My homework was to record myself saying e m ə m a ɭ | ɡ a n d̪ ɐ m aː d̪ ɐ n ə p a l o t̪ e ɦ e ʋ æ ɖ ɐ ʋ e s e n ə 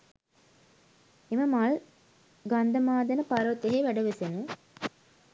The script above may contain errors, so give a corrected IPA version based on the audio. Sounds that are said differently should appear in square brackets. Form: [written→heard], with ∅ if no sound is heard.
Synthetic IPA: e m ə m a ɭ | ɡ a n d̪ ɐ m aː d̪ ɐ n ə p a [l→ɾ] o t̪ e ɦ e ʋ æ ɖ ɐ ʋ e s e n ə